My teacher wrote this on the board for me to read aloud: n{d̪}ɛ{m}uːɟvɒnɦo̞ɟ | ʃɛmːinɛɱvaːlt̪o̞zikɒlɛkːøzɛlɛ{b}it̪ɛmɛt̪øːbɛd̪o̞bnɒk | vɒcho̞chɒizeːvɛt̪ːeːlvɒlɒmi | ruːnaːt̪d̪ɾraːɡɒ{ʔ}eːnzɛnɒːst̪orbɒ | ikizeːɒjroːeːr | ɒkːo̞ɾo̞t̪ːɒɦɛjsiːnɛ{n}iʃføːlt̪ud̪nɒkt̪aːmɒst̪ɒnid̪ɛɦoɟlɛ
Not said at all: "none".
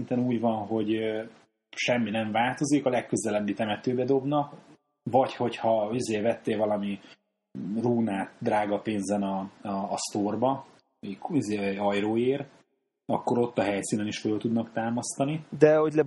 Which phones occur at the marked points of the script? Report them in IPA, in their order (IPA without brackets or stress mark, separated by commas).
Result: t̪, n, bː, p, n